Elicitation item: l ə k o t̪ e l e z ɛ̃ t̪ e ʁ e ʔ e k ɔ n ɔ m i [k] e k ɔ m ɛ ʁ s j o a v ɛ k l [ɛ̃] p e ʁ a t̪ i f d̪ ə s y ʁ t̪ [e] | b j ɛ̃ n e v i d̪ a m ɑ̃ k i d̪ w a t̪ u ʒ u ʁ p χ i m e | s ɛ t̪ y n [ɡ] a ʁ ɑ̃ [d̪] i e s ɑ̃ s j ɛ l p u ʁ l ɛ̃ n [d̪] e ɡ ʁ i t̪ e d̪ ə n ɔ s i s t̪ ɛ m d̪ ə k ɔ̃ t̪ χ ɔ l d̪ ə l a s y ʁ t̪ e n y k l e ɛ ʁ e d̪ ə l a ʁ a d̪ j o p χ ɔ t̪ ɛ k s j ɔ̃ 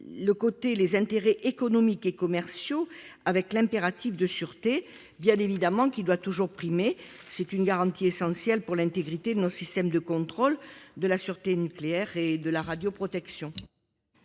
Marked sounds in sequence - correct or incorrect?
correct, correct, correct, correct, incorrect, incorrect

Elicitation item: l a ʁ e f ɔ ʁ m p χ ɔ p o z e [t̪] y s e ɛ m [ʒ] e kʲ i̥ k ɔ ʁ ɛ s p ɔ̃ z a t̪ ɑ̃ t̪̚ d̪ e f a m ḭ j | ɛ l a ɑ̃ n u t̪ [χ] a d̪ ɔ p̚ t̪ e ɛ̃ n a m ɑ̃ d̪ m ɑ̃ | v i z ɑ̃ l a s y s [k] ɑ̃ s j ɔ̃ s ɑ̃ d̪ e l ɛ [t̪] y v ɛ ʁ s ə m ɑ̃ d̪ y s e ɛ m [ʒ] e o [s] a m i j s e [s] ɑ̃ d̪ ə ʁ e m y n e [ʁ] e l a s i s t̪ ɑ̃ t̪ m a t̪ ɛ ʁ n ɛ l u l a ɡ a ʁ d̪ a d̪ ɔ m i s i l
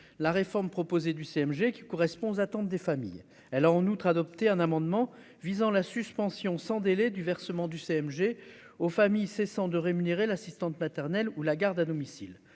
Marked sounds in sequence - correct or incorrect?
incorrect, correct, correct, incorrect, incorrect, correct, incorrect, correct, correct

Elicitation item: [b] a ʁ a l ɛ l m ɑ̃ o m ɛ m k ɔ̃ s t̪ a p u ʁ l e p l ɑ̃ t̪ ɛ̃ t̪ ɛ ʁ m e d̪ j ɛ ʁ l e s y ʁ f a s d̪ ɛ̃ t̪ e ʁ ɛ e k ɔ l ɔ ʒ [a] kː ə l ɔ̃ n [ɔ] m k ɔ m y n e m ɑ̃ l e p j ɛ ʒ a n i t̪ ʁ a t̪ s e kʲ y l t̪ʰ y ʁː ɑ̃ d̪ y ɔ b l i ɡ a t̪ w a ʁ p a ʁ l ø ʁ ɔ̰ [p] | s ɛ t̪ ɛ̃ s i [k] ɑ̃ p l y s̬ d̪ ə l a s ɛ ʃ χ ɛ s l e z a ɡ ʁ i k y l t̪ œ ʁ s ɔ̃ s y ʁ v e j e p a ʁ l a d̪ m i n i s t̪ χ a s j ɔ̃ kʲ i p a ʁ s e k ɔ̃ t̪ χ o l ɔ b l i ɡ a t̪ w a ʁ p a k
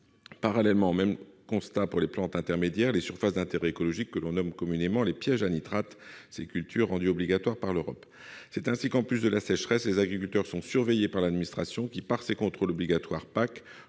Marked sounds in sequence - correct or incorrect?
incorrect, incorrect, correct, correct, correct

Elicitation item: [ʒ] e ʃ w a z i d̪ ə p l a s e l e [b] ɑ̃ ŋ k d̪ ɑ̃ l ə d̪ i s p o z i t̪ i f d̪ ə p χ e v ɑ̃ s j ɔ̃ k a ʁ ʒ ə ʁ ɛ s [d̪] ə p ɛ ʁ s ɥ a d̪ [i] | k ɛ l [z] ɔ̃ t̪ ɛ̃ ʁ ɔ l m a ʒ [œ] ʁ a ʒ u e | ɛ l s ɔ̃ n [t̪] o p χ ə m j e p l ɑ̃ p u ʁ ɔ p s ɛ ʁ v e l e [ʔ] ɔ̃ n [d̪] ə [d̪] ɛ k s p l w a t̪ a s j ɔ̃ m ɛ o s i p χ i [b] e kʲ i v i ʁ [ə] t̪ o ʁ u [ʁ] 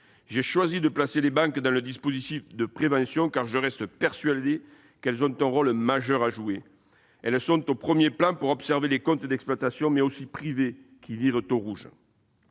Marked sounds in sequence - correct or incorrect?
correct, correct, incorrect, incorrect, correct, correct, correct, incorrect, incorrect, correct, incorrect, correct, incorrect

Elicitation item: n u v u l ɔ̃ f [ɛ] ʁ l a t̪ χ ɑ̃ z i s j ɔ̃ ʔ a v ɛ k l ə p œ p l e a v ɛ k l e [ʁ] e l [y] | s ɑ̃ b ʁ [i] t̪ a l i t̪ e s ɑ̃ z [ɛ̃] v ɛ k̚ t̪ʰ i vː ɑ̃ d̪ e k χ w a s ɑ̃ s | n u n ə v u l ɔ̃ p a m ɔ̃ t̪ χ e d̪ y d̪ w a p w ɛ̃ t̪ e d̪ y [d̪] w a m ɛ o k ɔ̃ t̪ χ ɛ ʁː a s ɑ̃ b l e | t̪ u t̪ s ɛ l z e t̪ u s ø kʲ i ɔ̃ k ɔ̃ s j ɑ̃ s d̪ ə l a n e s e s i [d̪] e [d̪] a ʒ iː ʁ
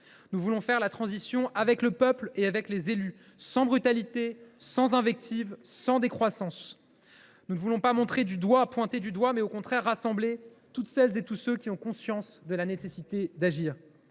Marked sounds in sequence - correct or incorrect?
correct, incorrect, correct, incorrect, correct, correct, incorrect, correct

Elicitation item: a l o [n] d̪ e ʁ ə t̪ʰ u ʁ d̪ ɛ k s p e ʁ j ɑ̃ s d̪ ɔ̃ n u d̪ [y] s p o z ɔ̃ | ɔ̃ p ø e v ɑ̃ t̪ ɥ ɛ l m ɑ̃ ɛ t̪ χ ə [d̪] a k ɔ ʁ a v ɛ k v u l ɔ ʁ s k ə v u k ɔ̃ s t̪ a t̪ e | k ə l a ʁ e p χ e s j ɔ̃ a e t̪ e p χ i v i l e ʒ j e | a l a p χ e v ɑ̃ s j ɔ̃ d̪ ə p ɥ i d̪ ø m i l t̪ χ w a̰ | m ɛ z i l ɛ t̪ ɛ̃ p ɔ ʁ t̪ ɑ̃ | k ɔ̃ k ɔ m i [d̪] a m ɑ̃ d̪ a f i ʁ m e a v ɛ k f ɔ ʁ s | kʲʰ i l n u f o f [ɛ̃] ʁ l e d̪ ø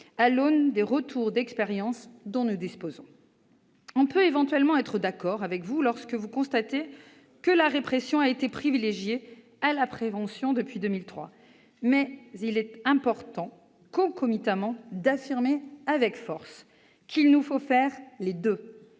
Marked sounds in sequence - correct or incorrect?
correct, incorrect, correct, incorrect, incorrect

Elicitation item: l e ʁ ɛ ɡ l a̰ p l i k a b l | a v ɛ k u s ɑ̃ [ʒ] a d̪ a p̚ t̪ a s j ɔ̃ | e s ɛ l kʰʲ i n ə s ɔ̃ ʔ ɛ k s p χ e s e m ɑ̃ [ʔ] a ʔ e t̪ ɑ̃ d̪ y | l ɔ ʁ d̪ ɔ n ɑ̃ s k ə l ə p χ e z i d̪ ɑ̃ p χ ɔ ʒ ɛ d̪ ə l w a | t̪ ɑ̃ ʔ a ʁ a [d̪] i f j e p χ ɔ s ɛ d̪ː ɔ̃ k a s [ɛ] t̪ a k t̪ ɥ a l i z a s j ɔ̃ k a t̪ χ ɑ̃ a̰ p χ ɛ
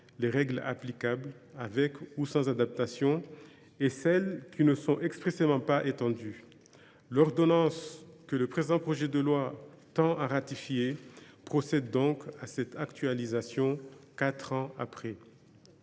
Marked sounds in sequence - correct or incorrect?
incorrect, incorrect, incorrect, correct

